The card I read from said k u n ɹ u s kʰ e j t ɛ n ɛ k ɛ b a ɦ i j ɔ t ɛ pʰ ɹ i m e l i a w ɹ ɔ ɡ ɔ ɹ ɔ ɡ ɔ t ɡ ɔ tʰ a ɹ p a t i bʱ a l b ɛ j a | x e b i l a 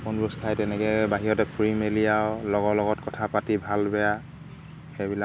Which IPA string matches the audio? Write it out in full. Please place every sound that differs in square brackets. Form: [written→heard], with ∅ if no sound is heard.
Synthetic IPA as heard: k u n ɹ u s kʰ [e→a] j t ɛ n ɛ k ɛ b a ɦ i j ɔ t ɛ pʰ ɹ i m e l i a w [ɹ→l] ɔ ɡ ɔ [ɹ→l] ɔ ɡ ɔ t [ɡ→k] ɔ tʰ a [ɹ→∅] p a t i bʱ a l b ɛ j a | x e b i l a